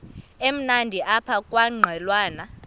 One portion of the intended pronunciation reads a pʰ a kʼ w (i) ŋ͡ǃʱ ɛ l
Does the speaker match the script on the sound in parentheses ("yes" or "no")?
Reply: no